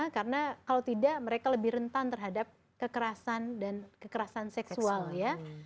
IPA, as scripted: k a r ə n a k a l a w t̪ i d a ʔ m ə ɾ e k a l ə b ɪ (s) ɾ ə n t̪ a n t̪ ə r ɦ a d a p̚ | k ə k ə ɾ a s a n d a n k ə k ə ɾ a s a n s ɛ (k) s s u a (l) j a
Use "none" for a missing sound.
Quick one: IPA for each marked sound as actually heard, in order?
h, k, l

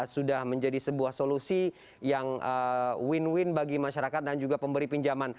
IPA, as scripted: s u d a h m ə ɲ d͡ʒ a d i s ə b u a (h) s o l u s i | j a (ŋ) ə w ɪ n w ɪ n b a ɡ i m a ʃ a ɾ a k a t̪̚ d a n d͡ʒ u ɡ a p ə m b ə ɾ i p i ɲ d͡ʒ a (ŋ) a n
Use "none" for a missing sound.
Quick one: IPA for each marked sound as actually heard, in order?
h, ŋ, m

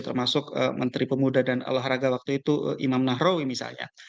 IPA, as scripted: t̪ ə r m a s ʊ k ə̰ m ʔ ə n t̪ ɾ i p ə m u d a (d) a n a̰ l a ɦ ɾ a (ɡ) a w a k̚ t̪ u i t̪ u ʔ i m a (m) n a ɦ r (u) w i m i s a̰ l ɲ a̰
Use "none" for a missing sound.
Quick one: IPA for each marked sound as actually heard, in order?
d, ɡ, m, o

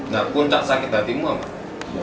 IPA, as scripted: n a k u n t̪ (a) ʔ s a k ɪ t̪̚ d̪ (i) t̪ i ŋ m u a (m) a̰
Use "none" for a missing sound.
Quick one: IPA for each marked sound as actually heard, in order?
a, a, m

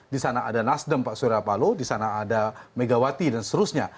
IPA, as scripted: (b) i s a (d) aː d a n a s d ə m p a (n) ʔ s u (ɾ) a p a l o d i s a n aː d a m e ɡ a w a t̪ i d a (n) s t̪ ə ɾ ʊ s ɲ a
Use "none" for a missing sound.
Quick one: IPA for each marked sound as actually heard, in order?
d, n, none, ɾ, n

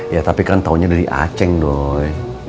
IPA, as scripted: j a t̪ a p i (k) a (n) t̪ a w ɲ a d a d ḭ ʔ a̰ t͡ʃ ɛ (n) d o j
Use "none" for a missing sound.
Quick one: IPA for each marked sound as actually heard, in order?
k, n, ŋ

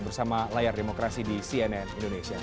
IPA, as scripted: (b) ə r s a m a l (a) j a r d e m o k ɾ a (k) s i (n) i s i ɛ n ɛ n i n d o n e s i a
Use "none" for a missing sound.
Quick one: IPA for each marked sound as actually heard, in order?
b, a, none, d

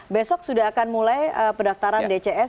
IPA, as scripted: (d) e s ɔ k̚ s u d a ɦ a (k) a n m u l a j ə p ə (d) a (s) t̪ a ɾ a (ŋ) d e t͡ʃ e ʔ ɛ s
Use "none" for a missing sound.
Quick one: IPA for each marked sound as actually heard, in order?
b, k, d, f, n

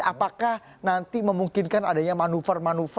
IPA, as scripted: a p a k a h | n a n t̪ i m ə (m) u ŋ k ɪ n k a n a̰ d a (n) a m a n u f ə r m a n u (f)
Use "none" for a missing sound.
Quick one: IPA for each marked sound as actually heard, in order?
m, ɲ, f

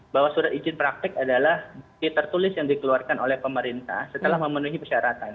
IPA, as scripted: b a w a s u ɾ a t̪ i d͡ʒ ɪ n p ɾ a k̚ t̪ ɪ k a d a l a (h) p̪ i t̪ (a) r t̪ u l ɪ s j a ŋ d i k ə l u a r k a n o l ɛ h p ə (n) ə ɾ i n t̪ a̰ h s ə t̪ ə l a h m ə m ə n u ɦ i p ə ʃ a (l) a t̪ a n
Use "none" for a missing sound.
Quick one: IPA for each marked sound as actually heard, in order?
h, ə, m, ɾ

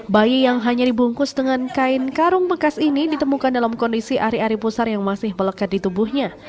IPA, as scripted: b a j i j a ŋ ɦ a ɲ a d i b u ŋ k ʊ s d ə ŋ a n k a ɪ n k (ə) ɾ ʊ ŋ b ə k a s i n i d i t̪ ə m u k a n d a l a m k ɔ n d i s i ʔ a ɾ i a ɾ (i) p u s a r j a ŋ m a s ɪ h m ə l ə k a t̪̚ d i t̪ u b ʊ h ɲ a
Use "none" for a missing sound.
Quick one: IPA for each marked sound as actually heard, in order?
a, i

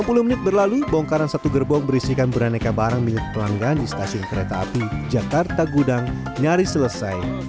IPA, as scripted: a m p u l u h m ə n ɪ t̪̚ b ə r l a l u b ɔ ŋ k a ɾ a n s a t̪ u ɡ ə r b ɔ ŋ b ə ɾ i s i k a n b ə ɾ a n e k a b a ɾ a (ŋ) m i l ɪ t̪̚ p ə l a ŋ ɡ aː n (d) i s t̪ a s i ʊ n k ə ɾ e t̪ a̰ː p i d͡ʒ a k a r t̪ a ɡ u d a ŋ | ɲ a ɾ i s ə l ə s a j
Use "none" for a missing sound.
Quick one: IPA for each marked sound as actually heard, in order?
ŋ, d

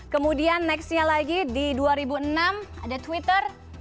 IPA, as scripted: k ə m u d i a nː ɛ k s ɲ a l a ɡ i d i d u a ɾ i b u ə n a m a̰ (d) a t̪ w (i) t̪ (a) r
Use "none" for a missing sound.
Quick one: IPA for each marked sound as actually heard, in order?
d, i, ə

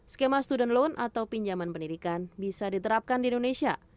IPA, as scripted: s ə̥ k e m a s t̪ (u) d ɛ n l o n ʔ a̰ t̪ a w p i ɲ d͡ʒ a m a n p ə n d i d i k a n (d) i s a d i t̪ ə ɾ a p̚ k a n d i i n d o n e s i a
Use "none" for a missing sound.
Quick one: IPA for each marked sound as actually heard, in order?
u, b

